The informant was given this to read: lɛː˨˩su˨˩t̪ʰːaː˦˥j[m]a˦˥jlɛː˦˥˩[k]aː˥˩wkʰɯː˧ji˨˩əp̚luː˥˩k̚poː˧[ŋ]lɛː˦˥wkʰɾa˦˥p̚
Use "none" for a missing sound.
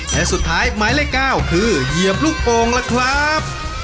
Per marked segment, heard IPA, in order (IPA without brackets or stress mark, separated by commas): m, k, ŋ